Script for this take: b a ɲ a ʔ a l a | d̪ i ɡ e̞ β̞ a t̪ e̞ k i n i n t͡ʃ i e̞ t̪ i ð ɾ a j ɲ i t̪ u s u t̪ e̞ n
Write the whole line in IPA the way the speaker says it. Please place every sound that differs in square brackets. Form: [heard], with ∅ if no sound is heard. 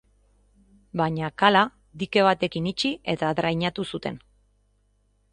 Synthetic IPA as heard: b a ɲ a [k] a l a | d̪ i [k] e̞ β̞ a t̪ e̞ k i n i [∅] t͡ʃ i e̞ t̪ [a] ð ɾ a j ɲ [a] t̪ u s u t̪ e̞ n